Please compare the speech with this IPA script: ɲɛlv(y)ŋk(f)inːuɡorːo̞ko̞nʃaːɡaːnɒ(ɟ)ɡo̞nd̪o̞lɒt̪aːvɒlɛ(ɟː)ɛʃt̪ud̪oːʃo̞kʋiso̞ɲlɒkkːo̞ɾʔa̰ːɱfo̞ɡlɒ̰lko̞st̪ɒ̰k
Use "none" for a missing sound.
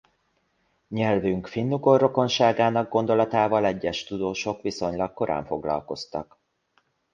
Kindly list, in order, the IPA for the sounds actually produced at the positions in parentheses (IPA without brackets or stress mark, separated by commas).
y, f, ɡ, ɟː